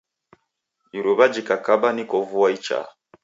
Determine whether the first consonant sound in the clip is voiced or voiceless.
voiced